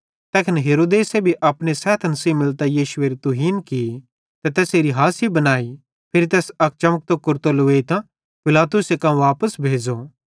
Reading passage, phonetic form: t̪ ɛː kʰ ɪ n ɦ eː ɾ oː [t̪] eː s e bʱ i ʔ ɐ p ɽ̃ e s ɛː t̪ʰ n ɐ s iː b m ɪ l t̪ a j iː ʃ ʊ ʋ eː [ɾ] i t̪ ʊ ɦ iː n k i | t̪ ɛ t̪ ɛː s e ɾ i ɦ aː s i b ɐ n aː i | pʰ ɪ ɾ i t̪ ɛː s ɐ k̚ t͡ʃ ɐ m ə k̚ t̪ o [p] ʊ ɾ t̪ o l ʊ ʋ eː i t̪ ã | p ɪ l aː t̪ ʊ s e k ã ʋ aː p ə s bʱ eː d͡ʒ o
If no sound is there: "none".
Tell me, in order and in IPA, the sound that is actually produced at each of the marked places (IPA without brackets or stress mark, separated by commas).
d̪, ɾ, k